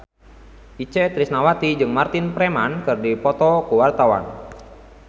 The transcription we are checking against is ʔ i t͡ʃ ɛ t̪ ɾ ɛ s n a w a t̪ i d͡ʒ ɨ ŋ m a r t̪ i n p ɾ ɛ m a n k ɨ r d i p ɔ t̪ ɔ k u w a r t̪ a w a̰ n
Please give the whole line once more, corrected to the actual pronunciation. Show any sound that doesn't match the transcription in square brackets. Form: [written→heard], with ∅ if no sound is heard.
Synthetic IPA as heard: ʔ i t͡ʃ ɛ t̪ ɾ [ɛ→i] s n a w a t̪ i d͡ʒ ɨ ŋ m a r t̪ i n p ɾ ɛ m a n k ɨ r d i p ɔ t̪ ɔ k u w a r t̪ a w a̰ n